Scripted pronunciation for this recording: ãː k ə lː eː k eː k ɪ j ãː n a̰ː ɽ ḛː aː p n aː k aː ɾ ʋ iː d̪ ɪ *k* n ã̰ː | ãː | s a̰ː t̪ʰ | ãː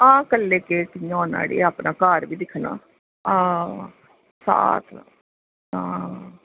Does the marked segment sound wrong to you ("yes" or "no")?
yes